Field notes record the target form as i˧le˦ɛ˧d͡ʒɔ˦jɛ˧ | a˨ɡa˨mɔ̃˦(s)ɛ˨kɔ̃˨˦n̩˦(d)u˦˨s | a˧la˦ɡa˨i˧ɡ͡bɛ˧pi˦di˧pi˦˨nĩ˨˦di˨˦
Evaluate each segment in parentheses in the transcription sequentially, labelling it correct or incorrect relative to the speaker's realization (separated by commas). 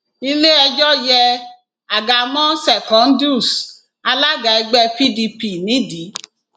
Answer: correct, correct